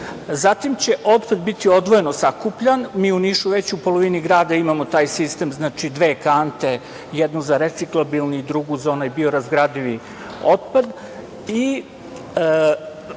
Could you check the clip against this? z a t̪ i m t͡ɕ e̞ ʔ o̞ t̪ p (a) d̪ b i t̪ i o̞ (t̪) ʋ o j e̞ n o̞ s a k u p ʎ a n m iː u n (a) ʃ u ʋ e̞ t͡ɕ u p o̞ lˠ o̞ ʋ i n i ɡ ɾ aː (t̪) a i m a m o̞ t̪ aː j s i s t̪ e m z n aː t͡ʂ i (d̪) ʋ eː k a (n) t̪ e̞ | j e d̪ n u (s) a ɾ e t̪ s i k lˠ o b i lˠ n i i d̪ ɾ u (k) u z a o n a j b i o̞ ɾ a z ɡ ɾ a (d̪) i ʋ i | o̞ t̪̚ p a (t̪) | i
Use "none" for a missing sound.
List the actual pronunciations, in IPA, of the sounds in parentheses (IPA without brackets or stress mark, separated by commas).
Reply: a, d̪, i, d̪, d̪, n, z, ɡ, d̪, d̪